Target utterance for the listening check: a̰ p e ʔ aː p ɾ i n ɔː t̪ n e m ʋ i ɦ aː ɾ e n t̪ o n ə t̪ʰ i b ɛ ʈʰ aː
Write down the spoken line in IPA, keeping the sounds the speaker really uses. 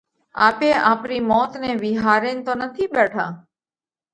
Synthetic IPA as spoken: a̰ p e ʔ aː p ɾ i m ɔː t̪ n e ʋ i ɦ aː ɾ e n t̪ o n ə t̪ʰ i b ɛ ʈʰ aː